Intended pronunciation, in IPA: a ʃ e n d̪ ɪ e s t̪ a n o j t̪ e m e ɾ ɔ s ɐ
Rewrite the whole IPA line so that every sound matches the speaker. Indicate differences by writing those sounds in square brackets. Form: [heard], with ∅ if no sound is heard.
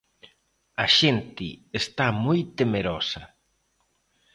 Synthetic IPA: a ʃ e n [t̪] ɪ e s t̪ a [m] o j t̪ e m e ɾ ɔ s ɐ